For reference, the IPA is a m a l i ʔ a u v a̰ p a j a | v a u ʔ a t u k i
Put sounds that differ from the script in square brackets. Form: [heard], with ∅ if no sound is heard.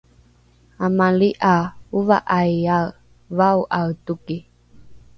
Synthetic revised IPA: a m a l i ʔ a u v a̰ [ʔ] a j a | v a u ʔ a t u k i